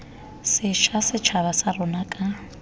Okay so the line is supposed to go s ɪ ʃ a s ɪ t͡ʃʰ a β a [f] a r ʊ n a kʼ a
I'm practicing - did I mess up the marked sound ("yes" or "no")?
yes